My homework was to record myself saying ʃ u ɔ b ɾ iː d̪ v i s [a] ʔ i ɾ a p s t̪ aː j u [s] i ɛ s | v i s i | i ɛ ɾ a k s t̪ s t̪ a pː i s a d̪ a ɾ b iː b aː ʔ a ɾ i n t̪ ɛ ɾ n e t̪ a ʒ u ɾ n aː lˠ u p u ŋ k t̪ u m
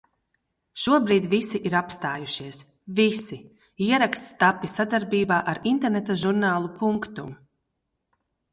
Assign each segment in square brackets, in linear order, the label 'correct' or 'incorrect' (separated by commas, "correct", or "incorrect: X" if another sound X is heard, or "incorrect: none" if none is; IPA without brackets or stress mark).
incorrect: i, incorrect: ʃ